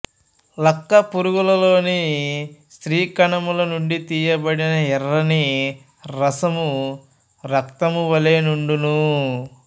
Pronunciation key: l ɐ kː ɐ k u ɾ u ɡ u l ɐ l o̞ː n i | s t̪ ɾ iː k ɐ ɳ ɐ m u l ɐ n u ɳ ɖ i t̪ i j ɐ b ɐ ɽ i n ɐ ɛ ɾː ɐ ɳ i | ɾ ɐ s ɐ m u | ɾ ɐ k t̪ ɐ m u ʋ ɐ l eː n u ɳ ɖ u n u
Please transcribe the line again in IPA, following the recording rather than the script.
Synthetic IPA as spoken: l ɐ kː ɐ p u ɾ u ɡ u l ɐ l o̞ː n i | s t̪ ɾ iː k ɐ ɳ ɐ m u l ɐ n u ɳ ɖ i t̪ iː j ɐ b ɐ ɽ i n ɐ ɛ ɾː ɐ n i | ɾ ɐ s ɐ m u | ɾ ɐ k t̪ ɐ m u ʋ ɐ l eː n u ɳ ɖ u n u